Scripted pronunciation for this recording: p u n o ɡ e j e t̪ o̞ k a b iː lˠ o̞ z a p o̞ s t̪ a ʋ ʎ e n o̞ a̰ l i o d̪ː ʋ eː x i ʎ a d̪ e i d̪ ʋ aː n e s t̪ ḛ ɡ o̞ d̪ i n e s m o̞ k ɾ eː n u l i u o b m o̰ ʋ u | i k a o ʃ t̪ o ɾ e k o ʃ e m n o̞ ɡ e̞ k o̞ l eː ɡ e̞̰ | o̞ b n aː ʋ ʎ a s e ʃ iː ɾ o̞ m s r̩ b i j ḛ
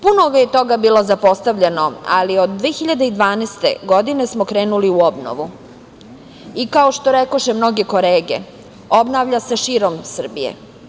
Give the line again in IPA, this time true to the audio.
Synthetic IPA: p u n o ɡ a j e t̪ o̞ ɡ a b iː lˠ o̞ z a p o̞ s t̪ a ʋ ʎ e n o̞ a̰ l i o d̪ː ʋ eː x i ʎ a d̪ e i d̪ ʋ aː n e s t̪ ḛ ɡ o̞ d̪ i n e s m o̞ k ɾ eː n u l i u o b n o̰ ʋ u | i k a o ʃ t̪ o ɾ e k o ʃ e m n o̞ ɡ e̞ k o̞ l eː ɡ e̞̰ | o̞ b n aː ʋ ʎ a s e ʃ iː ɾ o̞ m s r̩ b i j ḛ